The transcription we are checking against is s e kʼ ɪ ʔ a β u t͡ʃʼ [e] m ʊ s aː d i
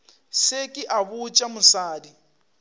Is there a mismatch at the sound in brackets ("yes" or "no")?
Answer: yes